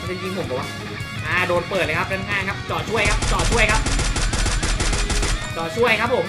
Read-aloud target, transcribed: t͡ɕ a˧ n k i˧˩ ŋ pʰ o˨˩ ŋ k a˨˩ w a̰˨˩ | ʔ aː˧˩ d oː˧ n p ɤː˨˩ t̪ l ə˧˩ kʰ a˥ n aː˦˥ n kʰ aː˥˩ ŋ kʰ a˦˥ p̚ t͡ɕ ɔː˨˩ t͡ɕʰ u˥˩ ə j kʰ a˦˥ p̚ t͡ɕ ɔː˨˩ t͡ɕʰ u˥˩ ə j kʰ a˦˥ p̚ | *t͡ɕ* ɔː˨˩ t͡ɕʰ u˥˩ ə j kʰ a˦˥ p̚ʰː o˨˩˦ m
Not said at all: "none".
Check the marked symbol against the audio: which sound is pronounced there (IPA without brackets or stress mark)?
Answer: t͡ɕ